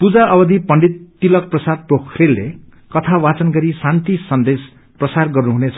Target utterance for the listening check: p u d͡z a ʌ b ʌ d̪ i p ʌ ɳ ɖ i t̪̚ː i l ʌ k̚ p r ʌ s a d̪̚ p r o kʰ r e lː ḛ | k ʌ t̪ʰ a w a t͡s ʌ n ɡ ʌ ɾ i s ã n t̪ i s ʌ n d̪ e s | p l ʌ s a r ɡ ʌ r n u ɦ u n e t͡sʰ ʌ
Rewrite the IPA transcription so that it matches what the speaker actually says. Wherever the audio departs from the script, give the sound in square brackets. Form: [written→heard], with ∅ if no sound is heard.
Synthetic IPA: p u d͡z a ʌ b ʌ d̪ i p ʌ ɳ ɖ i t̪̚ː i l ʌ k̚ p r ʌ s a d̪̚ p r o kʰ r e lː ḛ | k ʌ t̪ʰ a w a t͡s ʌ n ɡ ʌ ɾ i s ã n t̪ i s ʌ n d̪ e s | p [l→r] ʌ s a r ɡ ʌ r n u ɦ u n e t͡sʰ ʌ